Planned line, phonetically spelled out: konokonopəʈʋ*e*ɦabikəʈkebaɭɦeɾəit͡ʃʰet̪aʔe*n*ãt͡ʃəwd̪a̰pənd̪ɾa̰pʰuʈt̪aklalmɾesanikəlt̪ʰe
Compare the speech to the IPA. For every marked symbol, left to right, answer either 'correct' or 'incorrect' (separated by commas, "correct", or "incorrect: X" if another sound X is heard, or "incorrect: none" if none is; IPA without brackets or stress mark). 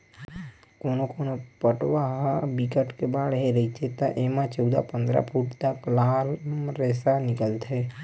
incorrect: a, incorrect: m